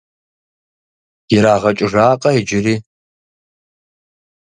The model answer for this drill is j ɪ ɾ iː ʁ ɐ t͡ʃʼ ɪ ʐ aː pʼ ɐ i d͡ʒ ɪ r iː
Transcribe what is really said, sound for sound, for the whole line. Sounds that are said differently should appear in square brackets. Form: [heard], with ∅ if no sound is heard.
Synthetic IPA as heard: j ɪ ɾ [aː] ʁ ɐ t͡ʃʼ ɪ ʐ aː [qʼ] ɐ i d͡ʒ ɪ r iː